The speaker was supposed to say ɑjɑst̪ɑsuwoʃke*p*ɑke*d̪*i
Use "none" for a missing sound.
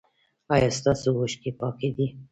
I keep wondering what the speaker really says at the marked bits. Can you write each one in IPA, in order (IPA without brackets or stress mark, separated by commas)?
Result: p, d̪